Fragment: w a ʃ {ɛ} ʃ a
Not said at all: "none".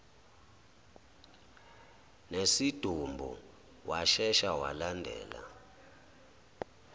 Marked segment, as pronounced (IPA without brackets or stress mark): ɛ